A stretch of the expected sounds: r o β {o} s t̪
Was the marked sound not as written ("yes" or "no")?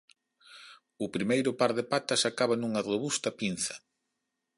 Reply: yes